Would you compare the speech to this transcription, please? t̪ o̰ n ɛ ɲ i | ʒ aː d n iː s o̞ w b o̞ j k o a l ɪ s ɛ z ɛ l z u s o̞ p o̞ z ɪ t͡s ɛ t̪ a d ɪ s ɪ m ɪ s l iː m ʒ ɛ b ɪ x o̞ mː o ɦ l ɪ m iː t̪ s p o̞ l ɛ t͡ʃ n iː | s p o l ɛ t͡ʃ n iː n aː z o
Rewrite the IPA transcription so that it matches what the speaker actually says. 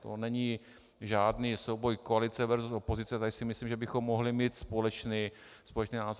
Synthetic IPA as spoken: t̪ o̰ n ɛ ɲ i | ʒ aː d n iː s o̞ w b o̞ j k o a l ɪ t͡s ɛ v ɛ ɾ z u s o̞ p o̞ z ɪ t͡s ɛ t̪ a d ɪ s ɪ m ɪ s l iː m ʒ ɛ b ɪ x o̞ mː o ɦ l ɪ m iː t̪ s p o̞ l ɛ t͡ʃ n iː | s p o l ɛ t͡ʃ n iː n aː z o